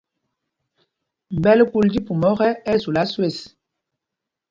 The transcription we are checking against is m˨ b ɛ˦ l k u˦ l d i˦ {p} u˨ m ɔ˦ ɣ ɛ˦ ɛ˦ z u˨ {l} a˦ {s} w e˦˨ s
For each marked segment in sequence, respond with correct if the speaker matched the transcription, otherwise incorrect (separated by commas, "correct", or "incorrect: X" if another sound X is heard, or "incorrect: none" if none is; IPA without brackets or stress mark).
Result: correct, correct, correct